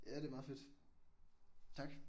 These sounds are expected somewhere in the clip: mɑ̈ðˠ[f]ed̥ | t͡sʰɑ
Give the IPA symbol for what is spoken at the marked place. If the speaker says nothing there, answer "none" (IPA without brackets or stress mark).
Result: f